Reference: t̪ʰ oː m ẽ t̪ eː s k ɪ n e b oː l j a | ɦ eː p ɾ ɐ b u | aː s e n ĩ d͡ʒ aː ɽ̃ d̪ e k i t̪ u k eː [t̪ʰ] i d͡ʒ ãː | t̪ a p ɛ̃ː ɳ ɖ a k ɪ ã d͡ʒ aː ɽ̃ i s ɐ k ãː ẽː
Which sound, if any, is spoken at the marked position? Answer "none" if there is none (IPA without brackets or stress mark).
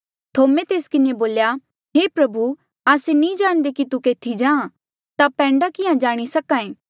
t̪ʰ